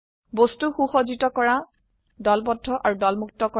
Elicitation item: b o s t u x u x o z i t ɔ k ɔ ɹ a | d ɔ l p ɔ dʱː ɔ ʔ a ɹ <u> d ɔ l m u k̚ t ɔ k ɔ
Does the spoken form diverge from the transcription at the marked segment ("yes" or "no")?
no